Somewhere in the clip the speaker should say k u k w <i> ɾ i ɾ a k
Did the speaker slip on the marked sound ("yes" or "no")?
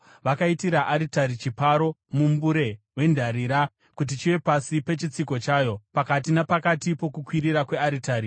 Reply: no